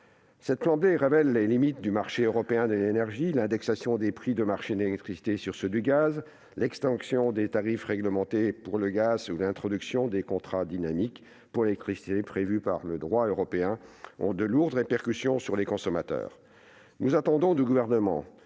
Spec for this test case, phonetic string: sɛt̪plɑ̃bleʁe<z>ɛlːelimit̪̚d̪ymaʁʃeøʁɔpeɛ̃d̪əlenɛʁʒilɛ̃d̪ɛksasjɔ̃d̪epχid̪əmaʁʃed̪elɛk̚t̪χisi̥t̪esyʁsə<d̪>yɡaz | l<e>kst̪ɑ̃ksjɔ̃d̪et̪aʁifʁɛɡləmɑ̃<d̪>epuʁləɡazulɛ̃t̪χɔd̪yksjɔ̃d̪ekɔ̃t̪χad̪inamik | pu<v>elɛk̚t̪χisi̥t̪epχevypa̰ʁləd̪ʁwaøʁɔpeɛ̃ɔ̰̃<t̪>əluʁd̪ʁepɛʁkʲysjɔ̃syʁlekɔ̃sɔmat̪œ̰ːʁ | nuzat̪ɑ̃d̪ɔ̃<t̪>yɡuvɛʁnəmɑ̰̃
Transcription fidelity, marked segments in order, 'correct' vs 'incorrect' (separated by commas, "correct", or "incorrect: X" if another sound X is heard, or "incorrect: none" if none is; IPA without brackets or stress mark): incorrect: v, correct, incorrect: ɛ, incorrect: t̪, incorrect: ʁ, incorrect: d̪, incorrect: d̪